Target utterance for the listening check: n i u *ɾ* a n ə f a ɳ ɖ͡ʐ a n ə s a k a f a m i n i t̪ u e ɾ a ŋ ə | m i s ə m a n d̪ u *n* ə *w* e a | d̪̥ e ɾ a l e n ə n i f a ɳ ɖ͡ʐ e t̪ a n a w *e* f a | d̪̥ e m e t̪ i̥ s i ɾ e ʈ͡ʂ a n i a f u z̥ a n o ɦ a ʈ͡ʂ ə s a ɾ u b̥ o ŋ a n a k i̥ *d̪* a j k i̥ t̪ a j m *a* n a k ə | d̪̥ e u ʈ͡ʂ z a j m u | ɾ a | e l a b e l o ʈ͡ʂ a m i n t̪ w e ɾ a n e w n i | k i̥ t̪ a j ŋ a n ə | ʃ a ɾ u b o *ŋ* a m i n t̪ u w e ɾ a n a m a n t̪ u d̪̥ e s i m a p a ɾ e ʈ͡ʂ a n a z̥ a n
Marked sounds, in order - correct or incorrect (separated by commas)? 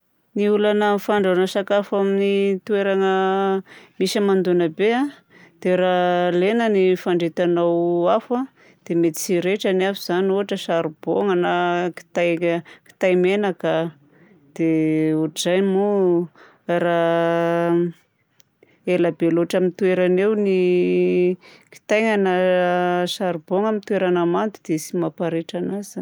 incorrect, correct, incorrect, incorrect, incorrect, incorrect, correct